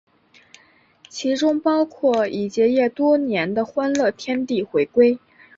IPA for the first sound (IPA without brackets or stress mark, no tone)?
t͡ɕʰ